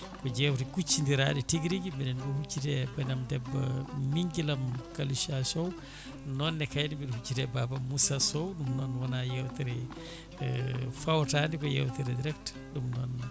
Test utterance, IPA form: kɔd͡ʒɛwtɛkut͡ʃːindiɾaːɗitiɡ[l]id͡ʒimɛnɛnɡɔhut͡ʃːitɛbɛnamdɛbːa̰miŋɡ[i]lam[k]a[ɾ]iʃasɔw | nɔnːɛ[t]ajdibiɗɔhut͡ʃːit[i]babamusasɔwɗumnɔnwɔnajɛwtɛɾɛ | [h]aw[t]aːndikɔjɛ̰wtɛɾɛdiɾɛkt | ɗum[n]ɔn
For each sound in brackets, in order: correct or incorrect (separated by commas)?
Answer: incorrect, correct, correct, incorrect, incorrect, incorrect, incorrect, correct, correct